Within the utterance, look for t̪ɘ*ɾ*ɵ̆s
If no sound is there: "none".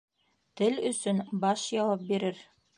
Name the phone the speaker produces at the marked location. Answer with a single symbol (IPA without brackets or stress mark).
l